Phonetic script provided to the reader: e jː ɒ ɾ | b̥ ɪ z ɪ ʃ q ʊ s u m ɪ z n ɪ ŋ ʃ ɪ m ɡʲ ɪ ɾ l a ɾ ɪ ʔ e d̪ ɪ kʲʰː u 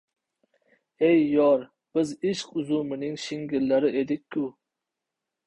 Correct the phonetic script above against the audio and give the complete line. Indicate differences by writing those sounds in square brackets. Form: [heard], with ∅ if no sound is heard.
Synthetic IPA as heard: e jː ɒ ɾ | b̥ ɪ z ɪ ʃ q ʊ [z] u m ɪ [∅] n ɪ ŋ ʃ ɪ [ŋ] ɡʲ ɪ ɾ l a ɾ ɪ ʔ e d̪ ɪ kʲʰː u